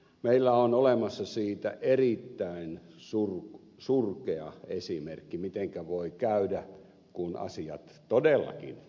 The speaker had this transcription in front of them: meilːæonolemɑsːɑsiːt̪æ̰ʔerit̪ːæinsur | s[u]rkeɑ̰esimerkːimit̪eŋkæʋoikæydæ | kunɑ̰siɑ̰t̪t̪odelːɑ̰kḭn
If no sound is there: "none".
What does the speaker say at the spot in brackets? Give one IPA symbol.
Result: u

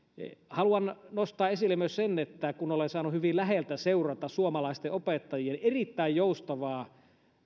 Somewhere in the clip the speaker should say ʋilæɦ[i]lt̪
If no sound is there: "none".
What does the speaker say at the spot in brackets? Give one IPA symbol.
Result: e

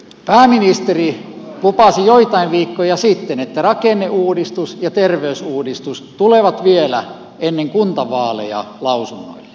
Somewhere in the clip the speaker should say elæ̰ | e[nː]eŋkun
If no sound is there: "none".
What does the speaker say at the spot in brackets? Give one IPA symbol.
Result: nː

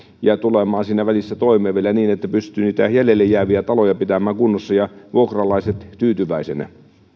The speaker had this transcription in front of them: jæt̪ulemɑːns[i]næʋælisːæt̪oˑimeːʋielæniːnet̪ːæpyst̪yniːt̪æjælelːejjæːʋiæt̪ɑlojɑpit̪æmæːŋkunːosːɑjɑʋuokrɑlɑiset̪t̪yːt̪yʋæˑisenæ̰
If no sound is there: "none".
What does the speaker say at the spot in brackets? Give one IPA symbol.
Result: iː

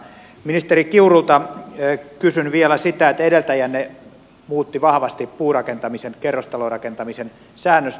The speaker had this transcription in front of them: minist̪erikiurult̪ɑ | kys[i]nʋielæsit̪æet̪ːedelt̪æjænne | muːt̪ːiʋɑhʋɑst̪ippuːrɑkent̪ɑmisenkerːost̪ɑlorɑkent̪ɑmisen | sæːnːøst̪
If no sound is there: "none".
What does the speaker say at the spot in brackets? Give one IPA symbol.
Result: y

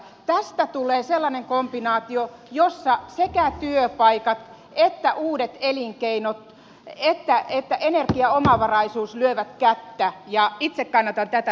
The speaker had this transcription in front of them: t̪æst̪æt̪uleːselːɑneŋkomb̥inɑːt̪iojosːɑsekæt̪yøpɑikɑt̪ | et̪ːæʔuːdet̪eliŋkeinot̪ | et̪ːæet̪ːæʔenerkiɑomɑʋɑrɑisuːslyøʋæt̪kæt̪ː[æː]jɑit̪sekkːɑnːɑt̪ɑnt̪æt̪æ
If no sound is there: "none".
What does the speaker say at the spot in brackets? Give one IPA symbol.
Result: æ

